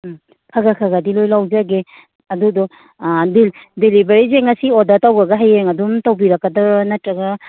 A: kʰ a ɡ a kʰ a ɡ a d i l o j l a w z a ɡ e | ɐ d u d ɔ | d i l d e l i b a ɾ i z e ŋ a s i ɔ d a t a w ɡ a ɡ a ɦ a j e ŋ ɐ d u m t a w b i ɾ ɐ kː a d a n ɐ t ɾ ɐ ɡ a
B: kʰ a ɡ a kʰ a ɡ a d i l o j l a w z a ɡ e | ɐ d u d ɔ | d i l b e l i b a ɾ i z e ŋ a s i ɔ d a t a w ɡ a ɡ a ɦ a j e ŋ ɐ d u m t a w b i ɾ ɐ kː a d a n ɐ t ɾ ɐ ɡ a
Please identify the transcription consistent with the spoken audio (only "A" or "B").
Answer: A